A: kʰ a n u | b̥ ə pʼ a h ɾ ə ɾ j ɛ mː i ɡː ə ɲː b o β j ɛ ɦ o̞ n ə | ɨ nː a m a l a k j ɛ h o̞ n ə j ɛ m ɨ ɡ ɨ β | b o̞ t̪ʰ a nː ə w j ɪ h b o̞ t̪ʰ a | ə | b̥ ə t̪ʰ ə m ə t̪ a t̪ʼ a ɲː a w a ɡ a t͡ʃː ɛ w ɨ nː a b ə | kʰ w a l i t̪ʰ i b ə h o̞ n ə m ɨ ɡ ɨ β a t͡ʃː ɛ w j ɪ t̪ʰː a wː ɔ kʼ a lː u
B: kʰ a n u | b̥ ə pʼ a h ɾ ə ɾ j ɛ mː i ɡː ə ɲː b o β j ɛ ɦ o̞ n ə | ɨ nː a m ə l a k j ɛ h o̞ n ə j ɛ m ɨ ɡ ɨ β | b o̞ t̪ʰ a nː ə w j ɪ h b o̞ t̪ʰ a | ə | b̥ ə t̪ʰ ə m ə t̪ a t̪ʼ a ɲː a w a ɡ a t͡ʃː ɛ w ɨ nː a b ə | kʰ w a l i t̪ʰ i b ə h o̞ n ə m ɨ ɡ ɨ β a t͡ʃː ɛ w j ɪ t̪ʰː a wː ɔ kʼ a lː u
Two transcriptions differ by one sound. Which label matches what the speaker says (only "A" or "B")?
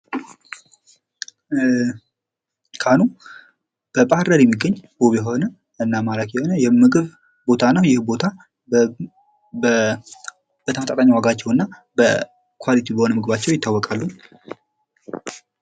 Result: A